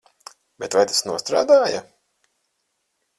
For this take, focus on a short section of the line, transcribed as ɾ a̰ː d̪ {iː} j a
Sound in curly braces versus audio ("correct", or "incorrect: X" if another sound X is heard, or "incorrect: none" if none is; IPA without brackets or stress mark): incorrect: aː